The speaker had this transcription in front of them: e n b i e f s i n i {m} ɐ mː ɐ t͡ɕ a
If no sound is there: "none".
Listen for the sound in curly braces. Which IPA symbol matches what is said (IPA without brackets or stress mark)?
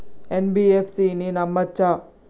n